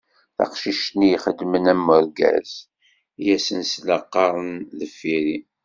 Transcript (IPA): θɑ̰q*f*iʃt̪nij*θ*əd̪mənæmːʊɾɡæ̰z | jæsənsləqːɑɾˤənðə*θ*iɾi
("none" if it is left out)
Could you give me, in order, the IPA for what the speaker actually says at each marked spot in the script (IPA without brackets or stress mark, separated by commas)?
ʃ, χ, f